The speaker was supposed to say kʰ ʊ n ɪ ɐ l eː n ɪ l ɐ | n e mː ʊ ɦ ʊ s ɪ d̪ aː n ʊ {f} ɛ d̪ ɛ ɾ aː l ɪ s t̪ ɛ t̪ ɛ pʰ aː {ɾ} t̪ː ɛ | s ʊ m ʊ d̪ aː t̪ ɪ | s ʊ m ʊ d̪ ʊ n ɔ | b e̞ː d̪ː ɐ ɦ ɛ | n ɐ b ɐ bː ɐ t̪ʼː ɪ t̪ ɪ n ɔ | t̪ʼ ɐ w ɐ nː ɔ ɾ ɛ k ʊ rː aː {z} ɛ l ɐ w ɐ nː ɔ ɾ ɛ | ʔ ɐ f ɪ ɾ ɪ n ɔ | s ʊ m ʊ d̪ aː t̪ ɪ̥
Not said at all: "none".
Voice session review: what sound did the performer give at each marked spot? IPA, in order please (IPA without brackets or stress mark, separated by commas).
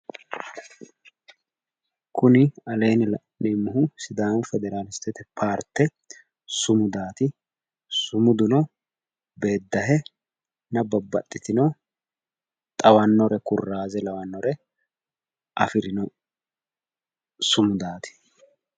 f, ɾ, z